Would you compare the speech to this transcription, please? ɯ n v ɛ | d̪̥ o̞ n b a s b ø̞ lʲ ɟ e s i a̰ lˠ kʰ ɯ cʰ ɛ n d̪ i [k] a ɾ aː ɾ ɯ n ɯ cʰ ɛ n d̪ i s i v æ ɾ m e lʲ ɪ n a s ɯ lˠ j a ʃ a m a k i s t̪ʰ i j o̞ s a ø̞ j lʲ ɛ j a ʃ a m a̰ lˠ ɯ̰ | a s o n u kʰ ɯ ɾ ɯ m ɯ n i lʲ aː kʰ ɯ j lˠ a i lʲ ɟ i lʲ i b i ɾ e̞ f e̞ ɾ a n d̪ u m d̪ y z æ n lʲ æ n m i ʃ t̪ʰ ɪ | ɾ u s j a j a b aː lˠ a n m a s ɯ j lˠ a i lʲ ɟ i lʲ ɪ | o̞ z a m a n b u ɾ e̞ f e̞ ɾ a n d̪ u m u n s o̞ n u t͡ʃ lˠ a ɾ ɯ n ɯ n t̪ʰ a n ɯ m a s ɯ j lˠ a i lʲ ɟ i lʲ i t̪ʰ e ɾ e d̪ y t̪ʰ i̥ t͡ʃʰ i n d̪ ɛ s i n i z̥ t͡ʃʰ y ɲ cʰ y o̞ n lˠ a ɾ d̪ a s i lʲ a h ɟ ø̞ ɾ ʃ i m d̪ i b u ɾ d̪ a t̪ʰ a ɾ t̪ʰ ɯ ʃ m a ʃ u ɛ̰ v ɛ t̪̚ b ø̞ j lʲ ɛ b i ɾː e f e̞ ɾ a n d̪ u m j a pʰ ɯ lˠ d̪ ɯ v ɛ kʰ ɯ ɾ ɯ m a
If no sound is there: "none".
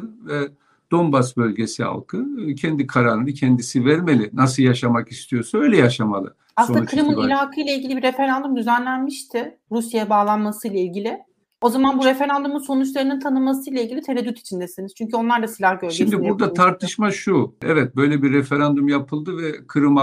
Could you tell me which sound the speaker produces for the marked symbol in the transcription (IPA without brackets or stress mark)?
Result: kʰ